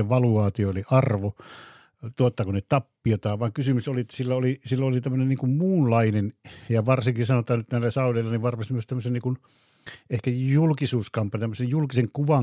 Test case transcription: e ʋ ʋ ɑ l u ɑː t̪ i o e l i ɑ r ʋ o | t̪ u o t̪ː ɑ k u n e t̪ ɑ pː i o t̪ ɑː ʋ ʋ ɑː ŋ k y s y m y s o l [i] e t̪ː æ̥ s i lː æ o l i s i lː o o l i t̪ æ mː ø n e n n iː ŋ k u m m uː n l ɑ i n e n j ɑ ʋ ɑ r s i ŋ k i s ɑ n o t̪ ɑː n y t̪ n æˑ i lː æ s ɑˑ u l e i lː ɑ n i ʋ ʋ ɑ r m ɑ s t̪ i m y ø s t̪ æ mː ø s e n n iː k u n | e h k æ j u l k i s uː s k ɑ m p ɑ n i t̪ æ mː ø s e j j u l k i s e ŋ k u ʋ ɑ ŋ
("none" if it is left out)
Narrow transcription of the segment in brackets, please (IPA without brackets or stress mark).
i